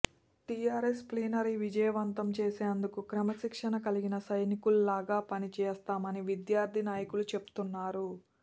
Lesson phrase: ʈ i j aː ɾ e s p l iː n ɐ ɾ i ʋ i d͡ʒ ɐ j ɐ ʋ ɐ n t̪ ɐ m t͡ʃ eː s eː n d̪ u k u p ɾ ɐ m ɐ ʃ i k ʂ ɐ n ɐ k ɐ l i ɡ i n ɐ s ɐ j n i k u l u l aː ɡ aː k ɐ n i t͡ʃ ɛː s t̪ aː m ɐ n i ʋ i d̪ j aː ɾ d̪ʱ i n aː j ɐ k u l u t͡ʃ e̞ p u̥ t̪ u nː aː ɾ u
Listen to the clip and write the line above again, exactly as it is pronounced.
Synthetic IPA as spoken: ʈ i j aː ɾ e s p l iː n ɐ ɾ i ʋ i d͡ʒ ɐ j ɐ ʋ ɐ n t̪ ɐ m t͡ʃ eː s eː n d̪ u k u k ɾ ɐ m ɐ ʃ i k ʂ ɐ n ɐ k ɐ l i ɡ i n ɐ s ɐ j n i k u l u l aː ɡ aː p ɐ n i t͡ʃ ɛː s t̪ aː m ɐ n i ʋ i d̪ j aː ɾ d̪ʱ i n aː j ɐ k u l u t͡ʃ e̞ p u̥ t̪ u nː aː ɾ u